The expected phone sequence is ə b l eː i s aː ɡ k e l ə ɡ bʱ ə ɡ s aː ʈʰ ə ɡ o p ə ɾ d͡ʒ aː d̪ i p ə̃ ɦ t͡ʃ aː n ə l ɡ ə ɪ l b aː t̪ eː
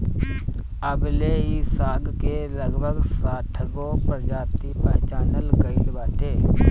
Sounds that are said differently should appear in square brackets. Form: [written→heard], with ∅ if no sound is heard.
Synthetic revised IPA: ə b l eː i s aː ɡ k e l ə ɡ bʱ ə ɡ s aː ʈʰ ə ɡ o p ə ɾ d͡ʒ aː [d̪→t̪] i p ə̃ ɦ t͡ʃ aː n ə l ɡ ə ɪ l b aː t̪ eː